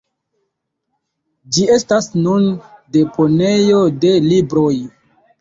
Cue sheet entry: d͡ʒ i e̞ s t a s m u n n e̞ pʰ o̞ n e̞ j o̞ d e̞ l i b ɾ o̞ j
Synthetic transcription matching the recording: d͡ʒ i e̞ s t a s n u n d e̞ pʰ o̞ n e̞ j o̞ d e̞ l i b ɾ o̞ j